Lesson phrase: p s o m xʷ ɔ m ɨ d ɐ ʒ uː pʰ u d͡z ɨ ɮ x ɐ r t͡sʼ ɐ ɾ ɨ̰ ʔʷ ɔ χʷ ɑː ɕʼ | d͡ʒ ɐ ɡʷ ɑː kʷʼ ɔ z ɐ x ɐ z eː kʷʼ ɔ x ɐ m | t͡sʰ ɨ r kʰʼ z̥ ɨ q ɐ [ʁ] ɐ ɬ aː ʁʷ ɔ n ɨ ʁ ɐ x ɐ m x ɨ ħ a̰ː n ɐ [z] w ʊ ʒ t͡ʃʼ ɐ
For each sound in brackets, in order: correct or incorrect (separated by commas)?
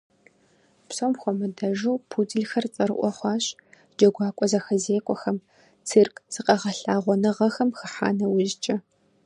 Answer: correct, incorrect